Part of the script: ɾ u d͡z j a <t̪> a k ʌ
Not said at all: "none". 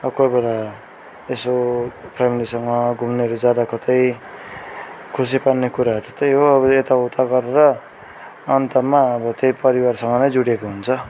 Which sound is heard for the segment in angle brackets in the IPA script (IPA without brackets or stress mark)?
d̪